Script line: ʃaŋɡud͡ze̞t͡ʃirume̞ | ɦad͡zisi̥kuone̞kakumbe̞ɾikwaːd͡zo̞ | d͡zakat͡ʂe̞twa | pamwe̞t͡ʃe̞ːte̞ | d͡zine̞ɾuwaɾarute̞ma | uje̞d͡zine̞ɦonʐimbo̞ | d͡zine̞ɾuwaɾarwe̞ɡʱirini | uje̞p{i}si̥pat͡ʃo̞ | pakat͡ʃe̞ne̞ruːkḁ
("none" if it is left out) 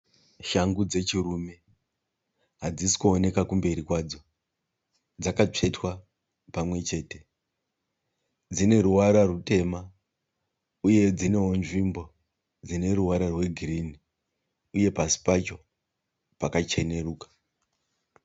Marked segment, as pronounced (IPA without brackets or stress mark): a